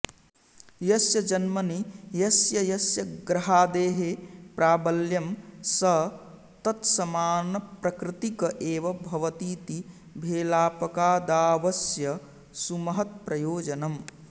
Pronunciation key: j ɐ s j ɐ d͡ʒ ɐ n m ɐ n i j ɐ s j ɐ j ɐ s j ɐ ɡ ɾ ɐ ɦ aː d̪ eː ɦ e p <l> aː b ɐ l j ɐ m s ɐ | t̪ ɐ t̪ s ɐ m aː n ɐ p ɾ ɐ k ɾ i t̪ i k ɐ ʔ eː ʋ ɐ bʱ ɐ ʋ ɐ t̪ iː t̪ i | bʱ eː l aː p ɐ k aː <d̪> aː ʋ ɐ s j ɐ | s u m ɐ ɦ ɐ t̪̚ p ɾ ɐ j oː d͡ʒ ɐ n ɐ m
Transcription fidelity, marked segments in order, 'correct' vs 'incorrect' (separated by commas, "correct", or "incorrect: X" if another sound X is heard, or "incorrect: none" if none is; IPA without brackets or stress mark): incorrect: ɾ, correct